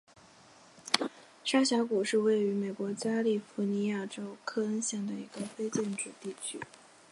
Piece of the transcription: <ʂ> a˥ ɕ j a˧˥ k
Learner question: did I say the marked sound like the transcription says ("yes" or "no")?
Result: yes